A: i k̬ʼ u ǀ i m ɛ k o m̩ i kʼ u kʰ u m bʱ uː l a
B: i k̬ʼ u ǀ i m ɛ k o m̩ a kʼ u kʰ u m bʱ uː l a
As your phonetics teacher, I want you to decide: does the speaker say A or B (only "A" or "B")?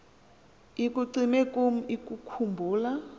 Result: A